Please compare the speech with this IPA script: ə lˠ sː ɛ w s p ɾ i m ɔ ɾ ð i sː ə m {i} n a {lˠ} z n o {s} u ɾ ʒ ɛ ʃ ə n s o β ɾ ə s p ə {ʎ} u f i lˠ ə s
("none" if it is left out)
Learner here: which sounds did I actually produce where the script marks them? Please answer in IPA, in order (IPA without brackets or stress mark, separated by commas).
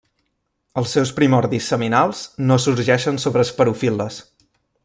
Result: i, lˠ, s, ɾ